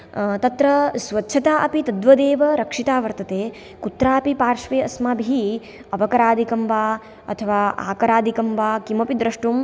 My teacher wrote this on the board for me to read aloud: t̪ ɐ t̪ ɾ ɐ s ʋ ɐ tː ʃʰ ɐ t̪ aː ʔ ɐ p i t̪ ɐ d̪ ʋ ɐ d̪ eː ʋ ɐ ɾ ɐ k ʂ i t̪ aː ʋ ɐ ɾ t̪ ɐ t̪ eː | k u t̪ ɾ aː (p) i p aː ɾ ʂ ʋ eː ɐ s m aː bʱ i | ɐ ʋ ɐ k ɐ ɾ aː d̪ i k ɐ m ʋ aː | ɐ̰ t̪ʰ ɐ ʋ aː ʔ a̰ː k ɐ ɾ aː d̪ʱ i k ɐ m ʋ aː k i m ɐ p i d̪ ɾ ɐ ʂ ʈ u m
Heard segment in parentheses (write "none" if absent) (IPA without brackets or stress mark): p